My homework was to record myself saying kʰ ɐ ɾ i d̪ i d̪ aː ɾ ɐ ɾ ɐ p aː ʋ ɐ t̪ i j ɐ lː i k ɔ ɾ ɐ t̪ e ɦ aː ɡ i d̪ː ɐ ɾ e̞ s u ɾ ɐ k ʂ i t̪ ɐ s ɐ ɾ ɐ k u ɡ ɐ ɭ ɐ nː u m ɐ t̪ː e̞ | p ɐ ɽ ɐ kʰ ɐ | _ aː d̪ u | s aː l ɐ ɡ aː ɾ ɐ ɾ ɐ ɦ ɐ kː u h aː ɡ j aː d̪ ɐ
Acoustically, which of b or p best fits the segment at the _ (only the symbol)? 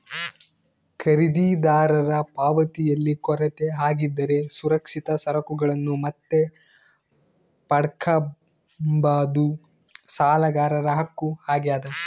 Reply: b